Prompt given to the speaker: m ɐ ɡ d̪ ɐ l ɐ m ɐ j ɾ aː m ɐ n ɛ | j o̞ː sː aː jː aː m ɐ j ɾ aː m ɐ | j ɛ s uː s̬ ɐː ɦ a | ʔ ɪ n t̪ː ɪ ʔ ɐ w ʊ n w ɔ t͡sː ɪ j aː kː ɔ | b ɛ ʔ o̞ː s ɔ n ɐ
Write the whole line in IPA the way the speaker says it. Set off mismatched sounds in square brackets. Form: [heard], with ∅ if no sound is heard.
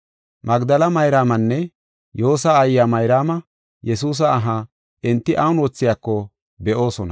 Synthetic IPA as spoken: m ɐ ɡ d̪ ɐ l ɐ m ɐ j ɾ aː m ɐ [nː] ɛ | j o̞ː [s] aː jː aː m ɐ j ɾ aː m ɐ | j ɛ s uː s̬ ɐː ɦ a | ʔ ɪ n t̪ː ɪ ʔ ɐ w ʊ n w ɔ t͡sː ɪ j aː kː ɔ | b ɛ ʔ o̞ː s ɔ n ɐ